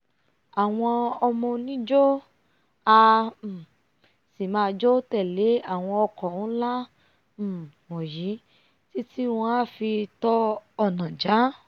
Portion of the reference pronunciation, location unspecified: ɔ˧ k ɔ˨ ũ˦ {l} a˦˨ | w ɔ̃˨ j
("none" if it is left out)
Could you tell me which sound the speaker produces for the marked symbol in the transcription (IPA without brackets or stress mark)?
l